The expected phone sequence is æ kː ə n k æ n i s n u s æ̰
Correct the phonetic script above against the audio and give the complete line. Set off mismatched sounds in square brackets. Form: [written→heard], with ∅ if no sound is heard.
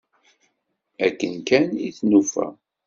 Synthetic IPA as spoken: æ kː ə n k æ n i [s→θ] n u [s→f] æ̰